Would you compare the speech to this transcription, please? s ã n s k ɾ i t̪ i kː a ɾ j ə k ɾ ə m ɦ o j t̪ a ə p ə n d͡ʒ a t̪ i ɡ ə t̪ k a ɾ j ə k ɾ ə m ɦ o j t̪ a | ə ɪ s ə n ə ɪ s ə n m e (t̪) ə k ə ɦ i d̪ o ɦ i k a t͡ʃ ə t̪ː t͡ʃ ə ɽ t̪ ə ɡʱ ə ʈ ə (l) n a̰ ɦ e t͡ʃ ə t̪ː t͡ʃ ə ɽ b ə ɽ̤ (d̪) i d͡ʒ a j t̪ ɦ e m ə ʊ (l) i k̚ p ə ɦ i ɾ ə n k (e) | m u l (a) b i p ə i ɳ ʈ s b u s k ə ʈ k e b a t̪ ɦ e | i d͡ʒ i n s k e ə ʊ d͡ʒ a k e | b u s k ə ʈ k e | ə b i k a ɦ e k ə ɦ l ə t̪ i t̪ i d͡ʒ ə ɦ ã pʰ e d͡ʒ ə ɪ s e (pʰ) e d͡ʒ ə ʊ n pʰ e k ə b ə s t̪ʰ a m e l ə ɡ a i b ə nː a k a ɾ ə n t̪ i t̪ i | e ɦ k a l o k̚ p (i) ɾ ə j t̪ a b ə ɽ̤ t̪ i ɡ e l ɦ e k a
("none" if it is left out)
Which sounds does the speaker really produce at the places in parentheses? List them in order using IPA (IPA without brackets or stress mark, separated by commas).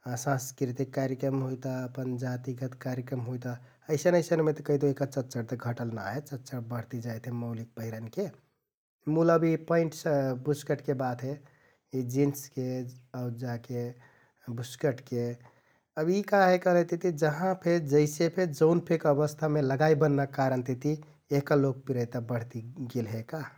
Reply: t̪, l, t̪, l, e, ə, pʰ, i